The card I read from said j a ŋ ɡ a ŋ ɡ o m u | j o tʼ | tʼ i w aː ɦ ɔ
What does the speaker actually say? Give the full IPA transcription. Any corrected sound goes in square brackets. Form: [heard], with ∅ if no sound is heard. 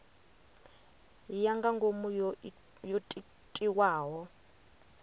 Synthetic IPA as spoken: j a ŋ ɡ a ŋ ɡ o m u | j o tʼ | tʼ i w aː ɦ ɔ